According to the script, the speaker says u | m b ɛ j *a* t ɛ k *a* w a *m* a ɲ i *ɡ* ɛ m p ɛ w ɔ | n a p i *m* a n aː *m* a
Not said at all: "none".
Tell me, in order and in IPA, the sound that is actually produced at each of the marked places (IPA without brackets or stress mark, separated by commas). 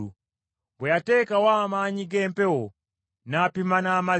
a, a, m, ɡ, m, m